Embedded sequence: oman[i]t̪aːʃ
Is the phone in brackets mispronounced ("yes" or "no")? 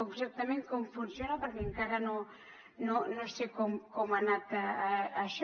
yes